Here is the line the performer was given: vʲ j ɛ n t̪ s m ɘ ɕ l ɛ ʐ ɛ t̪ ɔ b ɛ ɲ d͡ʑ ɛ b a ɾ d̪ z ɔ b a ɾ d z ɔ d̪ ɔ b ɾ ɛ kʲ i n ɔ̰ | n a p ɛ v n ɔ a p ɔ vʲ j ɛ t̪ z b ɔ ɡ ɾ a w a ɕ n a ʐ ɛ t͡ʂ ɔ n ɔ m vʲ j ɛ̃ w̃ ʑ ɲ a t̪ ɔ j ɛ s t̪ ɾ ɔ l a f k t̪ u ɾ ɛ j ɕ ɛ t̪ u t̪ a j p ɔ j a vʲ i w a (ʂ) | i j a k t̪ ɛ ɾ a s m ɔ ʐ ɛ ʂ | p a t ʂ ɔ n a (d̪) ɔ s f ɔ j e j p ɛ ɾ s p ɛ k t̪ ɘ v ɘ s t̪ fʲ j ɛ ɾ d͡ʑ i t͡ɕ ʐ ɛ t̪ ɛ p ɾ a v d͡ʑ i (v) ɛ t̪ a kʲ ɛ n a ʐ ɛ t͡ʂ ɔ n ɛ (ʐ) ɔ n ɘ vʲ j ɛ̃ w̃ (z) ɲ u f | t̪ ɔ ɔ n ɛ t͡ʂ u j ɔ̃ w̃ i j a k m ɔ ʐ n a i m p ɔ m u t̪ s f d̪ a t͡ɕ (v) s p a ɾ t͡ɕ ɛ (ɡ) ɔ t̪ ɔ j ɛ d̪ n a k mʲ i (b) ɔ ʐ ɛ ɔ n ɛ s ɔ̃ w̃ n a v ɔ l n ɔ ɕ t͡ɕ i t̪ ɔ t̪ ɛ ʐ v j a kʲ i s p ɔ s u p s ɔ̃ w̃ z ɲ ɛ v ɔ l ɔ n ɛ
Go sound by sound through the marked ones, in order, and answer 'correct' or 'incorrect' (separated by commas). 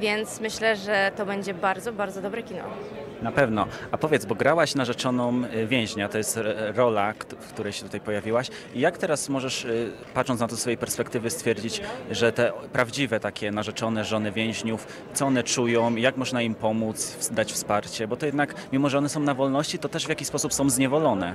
incorrect, incorrect, correct, correct, incorrect, incorrect, incorrect, incorrect